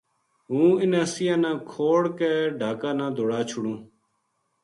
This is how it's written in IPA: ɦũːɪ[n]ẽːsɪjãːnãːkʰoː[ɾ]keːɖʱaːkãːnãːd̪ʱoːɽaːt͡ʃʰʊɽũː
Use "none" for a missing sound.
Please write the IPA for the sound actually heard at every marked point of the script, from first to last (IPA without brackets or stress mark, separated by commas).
n, ɽ